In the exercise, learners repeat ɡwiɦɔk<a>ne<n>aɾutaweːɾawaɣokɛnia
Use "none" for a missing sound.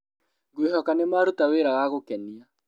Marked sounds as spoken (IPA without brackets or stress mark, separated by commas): a, m